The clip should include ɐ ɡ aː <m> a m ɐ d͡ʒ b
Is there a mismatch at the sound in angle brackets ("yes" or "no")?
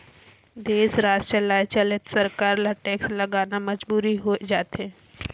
yes